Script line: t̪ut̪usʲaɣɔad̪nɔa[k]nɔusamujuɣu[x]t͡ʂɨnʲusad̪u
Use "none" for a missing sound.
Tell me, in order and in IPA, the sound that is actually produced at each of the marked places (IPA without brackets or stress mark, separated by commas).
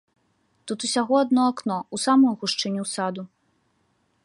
k, ʂ